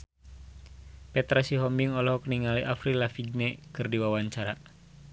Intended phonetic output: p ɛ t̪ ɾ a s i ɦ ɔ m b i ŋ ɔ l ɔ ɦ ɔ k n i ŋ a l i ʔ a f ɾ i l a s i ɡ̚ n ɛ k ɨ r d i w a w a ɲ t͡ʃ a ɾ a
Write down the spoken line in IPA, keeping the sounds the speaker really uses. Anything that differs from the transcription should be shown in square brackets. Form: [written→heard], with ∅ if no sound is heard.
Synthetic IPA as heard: p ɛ t̪ ɾ a s i ɦ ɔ m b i ŋ ɔ l ɔ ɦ ɔ k n i ŋ a l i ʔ a f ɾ i l a [s→f] i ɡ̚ n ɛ k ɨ r d i w a w a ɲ t͡ʃ a ɾ a